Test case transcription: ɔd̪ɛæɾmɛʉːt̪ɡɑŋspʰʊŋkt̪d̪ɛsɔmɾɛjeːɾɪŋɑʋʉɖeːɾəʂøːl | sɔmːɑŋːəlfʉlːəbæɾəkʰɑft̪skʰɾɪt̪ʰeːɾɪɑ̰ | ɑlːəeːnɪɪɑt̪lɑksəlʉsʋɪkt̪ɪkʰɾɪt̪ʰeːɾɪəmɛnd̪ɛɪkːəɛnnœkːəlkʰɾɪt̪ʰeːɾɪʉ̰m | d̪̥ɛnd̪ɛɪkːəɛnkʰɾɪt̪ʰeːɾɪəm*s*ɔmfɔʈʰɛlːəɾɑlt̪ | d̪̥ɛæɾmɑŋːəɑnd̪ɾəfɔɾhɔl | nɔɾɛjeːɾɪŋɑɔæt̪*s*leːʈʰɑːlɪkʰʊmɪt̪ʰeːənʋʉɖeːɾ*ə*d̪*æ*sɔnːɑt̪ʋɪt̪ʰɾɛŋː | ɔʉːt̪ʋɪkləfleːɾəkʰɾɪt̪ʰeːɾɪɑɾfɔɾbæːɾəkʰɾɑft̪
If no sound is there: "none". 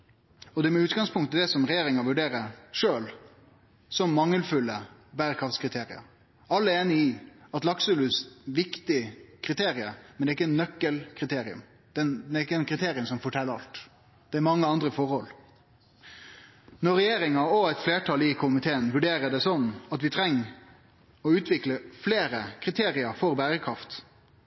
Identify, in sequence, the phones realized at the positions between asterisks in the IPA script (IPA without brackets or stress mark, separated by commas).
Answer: s, f, ə, ɛ